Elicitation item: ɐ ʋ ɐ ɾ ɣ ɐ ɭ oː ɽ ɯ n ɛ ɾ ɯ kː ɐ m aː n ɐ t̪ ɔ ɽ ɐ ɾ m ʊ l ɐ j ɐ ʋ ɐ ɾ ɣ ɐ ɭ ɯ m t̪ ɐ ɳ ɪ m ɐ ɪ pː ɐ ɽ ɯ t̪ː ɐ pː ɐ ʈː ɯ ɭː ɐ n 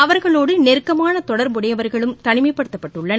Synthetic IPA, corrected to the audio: ɐ ʋ ɐ ɾ ɣ ɐ ɭ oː ɽ ɯ n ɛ ɾ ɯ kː ɐ m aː n ɐ t̪ ɔ ɽ ɐ ɾ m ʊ ɽ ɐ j ɐ ʋ ɐ ɾ ɣ ɐ ɭ ɯ m t̪ ɐ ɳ ɪ m ɐ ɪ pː ɐ ɽ ɯ t̪ː ɐ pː ɐ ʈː ɯ ɭː ɐ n